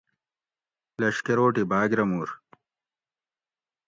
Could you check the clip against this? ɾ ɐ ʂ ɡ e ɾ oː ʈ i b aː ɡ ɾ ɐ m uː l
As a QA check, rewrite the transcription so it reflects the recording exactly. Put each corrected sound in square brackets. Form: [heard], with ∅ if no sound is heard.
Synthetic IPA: [l] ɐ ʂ [k] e ɾ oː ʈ i b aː ɡ ɾ ɐ m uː [ɾ]